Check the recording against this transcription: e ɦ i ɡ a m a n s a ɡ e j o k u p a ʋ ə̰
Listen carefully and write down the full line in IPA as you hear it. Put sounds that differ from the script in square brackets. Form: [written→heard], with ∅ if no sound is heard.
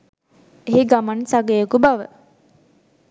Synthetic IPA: e ɦ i ɡ a m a n s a ɡ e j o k u [p→b] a ʋ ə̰